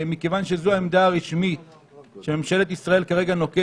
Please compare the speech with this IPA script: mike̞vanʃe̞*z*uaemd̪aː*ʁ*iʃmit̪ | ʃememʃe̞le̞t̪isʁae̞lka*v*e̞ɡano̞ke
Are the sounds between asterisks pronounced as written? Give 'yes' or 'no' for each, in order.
yes, yes, no

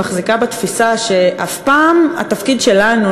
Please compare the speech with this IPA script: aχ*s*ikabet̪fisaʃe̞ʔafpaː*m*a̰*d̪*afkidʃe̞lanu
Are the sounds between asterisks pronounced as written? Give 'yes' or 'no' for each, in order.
no, yes, no

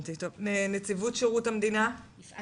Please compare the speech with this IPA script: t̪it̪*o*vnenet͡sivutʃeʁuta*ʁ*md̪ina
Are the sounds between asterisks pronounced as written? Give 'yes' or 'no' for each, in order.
yes, no

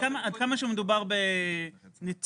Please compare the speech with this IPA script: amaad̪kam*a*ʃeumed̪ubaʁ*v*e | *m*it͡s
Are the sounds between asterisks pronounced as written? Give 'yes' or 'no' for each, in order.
yes, no, no

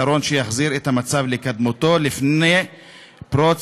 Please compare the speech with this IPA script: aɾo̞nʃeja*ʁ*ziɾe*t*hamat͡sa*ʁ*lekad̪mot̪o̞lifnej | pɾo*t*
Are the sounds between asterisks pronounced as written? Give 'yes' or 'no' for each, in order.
no, yes, no, no

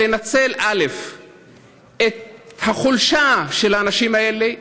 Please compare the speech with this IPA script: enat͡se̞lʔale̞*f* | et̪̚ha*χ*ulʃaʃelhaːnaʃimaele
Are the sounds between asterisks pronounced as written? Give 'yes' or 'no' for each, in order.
yes, yes

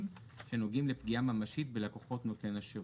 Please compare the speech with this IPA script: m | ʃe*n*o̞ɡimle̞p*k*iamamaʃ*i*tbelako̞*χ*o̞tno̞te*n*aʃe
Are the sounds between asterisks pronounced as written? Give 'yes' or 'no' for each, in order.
yes, no, yes, yes, yes

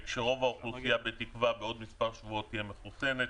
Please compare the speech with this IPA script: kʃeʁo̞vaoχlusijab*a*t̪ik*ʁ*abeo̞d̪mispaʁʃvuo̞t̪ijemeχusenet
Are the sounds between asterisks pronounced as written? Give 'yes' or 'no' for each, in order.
no, no

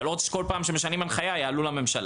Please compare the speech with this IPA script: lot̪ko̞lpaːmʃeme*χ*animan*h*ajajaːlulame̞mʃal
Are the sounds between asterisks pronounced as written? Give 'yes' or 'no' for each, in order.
no, no

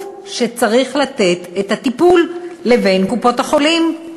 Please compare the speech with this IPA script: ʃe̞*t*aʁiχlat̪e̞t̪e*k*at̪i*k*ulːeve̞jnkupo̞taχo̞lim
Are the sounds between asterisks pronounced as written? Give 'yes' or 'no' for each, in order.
no, no, no

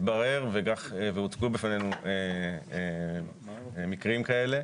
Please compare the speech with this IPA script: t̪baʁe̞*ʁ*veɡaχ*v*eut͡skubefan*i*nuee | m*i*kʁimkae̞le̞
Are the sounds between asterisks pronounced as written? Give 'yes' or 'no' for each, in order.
yes, yes, no, yes

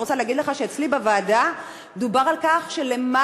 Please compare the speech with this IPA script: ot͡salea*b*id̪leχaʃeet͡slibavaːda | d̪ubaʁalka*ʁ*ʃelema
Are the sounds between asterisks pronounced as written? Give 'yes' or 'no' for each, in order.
no, no

